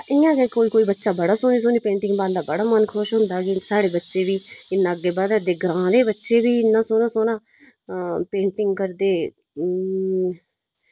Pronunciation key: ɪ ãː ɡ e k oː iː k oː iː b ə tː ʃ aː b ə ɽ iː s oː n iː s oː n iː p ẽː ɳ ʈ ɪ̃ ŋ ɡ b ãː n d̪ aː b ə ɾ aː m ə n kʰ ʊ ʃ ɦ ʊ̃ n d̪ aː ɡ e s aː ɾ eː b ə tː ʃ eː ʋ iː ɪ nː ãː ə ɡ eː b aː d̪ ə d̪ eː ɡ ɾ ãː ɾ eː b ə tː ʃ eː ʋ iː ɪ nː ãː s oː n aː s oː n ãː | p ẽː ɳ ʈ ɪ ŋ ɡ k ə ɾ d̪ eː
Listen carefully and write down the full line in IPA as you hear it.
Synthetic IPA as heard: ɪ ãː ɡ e k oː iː k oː iː b ə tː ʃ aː b ə ɽ aː s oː n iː s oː n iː p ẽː ɳ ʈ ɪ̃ ŋ ɡ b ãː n d̪ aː b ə ɽ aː m ə n kʰ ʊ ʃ ɦ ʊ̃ n d̪ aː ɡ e s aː ɽ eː b ə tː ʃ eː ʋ iː ɪ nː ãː ə ɡ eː b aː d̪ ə d̪ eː ɡ ɾ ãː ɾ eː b ə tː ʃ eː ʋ iː ɪ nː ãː s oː n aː s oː n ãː | p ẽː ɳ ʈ ɪ ŋ ɡ k ə ɾ d̪ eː